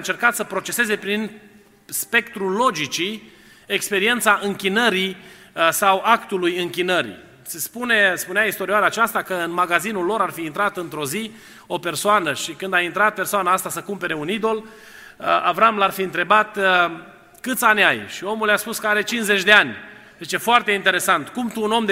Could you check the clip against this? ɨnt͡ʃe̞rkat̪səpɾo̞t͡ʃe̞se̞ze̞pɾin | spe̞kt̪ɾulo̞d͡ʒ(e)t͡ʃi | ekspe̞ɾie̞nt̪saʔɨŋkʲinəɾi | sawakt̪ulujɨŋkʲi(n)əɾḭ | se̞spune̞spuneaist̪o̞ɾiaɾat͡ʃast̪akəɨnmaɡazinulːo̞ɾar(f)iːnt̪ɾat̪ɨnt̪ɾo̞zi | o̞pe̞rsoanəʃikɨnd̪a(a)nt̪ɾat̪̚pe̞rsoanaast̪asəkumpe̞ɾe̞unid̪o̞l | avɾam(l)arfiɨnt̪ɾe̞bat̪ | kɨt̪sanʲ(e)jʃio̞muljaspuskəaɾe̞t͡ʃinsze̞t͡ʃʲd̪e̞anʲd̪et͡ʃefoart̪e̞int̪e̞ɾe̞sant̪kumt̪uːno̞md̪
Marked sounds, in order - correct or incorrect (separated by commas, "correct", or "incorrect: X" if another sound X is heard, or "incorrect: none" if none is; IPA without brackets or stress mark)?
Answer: incorrect: i, correct, correct, incorrect: i, correct, incorrect: a